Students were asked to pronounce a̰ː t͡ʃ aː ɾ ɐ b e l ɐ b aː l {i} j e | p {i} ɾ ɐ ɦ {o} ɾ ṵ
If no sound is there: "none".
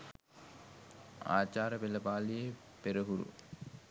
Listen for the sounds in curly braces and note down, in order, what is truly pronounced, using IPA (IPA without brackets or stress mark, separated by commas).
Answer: i, e, u